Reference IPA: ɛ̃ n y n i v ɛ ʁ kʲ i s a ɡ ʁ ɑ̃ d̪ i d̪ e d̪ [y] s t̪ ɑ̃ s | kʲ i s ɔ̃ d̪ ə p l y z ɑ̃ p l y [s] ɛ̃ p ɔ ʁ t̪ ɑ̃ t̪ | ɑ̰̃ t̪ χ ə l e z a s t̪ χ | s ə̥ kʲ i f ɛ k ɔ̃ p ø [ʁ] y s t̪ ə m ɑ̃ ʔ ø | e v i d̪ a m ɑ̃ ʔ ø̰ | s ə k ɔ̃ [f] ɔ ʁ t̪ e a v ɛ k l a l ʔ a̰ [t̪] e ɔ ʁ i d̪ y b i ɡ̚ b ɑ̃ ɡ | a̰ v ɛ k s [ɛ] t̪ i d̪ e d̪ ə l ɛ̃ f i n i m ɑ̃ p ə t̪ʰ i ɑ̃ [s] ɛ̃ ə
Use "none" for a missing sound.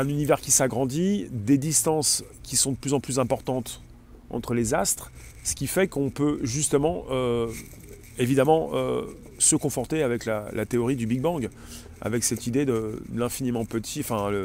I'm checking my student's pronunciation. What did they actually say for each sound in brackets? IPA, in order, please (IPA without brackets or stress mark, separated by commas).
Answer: i, z, ʒ, f, t̪, ɛ, f